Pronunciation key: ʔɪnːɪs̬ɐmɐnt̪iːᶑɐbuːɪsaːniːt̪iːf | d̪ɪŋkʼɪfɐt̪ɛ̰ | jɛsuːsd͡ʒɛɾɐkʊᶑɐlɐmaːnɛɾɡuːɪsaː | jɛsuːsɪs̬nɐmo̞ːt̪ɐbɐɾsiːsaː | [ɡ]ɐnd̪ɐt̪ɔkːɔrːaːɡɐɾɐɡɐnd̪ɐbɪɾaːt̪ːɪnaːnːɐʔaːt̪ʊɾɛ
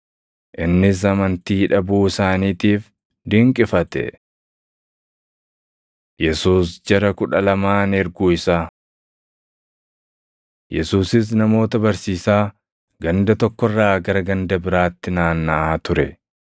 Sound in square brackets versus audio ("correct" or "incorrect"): correct